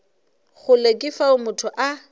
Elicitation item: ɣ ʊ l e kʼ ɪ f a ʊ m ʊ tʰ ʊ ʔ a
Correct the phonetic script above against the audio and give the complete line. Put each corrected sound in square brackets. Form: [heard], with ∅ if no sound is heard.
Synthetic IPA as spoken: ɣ ʊ l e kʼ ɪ f a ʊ m ʊ tʰ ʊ ʔ a